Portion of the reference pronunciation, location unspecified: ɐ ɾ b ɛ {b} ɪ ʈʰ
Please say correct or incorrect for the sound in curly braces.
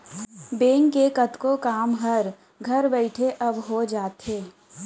incorrect